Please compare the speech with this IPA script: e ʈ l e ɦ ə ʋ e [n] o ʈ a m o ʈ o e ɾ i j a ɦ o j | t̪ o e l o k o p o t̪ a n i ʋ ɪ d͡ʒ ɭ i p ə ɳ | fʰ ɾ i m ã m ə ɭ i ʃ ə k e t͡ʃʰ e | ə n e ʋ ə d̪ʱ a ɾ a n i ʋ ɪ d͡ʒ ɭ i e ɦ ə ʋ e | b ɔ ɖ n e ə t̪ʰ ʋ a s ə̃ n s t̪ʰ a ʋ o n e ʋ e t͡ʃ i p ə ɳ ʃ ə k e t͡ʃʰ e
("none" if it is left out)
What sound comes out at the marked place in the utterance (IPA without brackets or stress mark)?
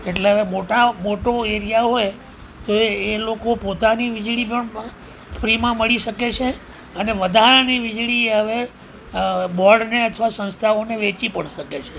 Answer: m